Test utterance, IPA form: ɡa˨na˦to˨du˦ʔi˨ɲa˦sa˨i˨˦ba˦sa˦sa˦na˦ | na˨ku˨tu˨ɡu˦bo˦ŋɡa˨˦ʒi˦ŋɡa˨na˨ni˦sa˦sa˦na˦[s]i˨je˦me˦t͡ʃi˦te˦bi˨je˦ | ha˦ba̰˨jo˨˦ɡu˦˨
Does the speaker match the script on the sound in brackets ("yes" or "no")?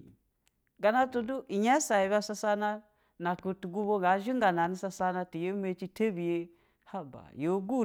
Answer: no